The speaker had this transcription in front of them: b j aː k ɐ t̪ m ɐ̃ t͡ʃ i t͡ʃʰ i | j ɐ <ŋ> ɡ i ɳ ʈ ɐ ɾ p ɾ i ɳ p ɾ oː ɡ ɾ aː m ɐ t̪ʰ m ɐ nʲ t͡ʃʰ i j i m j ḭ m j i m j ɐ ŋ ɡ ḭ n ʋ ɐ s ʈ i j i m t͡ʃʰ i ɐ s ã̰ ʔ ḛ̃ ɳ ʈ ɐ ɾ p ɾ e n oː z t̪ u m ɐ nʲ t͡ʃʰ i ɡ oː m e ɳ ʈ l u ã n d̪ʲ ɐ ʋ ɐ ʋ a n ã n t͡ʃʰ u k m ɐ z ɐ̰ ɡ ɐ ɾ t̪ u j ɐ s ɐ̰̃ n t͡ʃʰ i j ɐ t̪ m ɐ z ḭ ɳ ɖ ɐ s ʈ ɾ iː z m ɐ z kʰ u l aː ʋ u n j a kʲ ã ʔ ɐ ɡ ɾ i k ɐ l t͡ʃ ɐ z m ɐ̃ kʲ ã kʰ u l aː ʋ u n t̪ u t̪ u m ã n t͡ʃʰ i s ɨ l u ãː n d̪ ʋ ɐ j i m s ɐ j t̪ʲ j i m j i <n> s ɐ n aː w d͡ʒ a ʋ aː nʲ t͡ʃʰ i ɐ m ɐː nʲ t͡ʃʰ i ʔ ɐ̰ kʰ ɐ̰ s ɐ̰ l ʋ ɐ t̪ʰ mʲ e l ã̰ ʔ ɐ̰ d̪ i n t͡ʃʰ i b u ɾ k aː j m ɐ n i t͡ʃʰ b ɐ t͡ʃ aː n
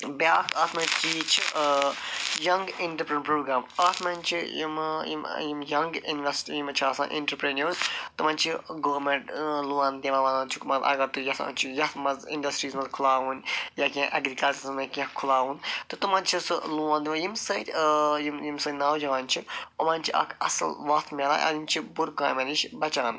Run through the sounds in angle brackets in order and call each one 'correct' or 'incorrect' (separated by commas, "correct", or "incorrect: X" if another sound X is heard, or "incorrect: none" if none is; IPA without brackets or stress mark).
correct, incorrect: m